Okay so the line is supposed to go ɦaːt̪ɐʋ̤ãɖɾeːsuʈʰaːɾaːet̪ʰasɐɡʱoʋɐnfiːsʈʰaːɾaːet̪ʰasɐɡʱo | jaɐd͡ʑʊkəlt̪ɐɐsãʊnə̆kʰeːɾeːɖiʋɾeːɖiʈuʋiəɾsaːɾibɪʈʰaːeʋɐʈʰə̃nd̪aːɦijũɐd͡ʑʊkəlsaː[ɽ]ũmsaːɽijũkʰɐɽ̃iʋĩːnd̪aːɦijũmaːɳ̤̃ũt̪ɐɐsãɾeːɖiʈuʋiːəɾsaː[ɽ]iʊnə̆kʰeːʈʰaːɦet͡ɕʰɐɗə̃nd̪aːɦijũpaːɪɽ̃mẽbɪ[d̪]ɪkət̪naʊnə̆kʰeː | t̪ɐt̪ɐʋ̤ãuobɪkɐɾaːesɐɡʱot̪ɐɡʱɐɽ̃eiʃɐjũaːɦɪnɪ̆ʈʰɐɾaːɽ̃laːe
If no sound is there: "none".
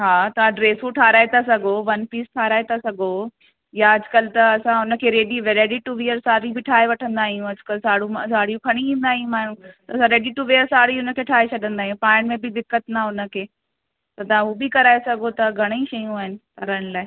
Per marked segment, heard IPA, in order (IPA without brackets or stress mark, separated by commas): ɽ, ɽ, d̪